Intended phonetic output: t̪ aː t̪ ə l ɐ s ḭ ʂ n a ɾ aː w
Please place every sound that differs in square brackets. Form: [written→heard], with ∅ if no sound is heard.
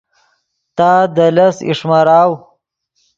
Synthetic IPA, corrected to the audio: t̪ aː [t̪→d̪] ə l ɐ s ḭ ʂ [n→m] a ɾ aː w